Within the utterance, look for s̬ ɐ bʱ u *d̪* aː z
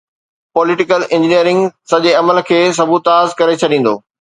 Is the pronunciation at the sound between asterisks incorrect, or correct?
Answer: incorrect: t̪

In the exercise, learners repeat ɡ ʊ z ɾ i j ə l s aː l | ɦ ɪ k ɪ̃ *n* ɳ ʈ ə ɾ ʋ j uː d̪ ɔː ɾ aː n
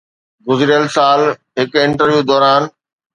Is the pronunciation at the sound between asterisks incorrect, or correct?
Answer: incorrect: none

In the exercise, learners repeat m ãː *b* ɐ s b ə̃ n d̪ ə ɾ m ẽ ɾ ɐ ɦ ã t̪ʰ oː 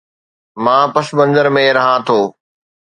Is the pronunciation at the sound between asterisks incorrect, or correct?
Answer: incorrect: p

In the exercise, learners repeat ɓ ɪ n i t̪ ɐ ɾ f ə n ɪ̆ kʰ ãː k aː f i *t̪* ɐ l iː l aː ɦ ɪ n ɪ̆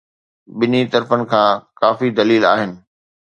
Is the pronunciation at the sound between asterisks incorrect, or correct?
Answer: incorrect: d̪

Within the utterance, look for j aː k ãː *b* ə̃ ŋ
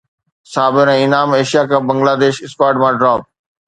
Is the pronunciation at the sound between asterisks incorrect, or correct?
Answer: correct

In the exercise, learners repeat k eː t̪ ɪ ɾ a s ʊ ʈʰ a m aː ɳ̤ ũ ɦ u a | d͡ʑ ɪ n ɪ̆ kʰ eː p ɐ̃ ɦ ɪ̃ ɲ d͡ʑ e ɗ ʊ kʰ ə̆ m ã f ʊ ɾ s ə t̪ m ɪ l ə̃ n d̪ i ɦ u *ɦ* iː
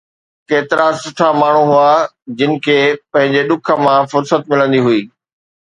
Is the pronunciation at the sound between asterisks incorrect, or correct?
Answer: incorrect: none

